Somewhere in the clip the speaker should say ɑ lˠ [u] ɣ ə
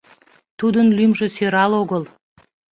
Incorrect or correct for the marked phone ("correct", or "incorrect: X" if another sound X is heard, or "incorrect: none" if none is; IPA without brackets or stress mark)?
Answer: incorrect: o